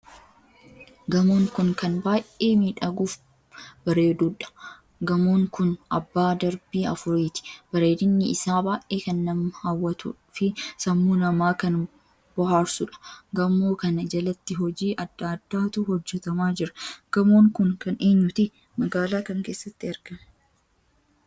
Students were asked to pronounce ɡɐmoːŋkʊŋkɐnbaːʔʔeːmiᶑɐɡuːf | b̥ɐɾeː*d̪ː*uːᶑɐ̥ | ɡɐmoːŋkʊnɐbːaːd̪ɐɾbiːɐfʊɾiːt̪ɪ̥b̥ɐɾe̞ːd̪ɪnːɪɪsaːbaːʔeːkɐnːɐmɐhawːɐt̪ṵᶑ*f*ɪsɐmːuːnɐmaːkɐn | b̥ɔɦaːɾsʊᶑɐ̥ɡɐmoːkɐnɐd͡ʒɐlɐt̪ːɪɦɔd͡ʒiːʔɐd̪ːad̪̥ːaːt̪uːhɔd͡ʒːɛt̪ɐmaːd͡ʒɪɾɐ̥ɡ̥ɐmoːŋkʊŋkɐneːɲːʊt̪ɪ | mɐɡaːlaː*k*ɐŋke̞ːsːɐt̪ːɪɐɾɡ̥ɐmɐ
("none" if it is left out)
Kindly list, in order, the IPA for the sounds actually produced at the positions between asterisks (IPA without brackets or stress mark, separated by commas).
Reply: d̪, f, k